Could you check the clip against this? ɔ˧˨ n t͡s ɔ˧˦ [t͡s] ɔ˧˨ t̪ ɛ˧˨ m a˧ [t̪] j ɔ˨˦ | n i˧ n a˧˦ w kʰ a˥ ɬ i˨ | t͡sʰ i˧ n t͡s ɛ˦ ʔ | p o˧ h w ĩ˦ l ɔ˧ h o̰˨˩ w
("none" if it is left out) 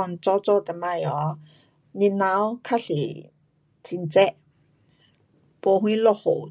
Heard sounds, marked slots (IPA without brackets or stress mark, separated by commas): t͡s, none